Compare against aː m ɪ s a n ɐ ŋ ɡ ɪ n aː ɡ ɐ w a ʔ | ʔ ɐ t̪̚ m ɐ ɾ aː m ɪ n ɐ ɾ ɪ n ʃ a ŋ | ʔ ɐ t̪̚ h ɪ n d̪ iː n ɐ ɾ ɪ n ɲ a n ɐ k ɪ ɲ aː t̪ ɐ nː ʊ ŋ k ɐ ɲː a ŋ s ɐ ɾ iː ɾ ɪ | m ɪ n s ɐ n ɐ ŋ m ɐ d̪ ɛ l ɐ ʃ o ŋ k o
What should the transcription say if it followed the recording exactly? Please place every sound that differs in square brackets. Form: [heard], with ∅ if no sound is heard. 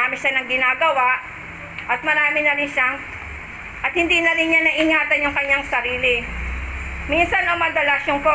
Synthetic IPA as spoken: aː m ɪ [ʃ] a n ɐ ŋ ɡ ɪ n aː ɡ ɐ w a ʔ | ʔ ɐ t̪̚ m ɐ ɾ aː m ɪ n ɐ ɾ ɪ n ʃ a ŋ | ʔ ɐ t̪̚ h ɪ n d̪ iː n ɐ ɾ ɪ n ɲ a n ɐ [ʔ] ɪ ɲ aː t̪ ɐ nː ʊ ŋ k ɐ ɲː a ŋ s ɐ ɾ iː [l] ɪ | m [i] n s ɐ n ɐ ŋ m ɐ d̪ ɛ l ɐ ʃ o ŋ k o